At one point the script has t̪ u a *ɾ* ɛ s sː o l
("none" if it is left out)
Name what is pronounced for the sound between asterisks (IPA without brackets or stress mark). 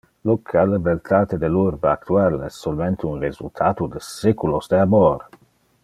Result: l